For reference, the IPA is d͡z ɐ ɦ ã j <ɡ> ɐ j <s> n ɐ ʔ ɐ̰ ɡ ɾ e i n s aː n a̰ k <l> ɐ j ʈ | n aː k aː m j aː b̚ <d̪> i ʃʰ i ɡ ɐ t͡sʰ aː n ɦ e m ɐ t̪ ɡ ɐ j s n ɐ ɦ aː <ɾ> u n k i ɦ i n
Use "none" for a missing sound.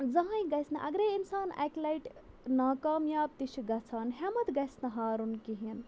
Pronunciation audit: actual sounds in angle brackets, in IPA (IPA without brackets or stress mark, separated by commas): ɡ, s, l, t̪, ɾ